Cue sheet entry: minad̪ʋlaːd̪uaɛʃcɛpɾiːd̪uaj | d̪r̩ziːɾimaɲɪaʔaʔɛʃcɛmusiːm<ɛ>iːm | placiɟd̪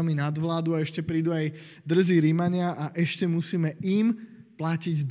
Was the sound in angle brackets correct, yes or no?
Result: yes